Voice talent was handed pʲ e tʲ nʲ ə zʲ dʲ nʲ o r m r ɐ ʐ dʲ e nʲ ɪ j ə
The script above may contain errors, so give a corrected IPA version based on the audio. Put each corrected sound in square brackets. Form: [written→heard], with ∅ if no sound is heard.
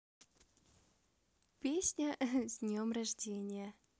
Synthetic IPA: pʲ e [tʲ→sʲ] nʲ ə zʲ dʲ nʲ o [r→∅] m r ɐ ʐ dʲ e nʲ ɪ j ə